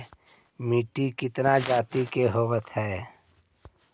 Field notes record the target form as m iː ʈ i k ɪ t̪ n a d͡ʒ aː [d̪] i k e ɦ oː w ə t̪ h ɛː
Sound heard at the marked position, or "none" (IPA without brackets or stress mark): t̪